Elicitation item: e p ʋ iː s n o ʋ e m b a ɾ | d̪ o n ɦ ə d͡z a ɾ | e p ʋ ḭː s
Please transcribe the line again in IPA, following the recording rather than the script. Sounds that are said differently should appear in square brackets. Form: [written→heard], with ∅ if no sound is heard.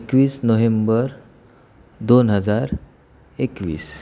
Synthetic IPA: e [p→k] ʋ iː s n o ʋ e m b [a→ə] ɾ | d̪ o n ɦ ə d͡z a ɾ | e [p→k] ʋ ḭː s